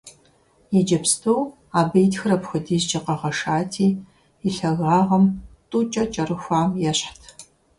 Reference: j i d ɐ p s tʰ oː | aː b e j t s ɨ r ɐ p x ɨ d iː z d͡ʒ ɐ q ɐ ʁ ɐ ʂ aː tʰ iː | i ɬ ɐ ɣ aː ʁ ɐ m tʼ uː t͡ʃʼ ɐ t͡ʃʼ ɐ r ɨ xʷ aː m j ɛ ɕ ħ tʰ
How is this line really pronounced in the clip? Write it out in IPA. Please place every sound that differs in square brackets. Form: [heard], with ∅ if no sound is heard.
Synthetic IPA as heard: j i [d͡ʒ] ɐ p s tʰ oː | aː b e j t [x] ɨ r ɐ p x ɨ d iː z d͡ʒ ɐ q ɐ ʁ ɐ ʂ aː tʰ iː | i ɬ ɐ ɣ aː ʁ ɐ m tʼ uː t͡ʃʼ ɐ t͡ʃʼ ɐ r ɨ xʷ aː m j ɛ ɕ ħ tʰ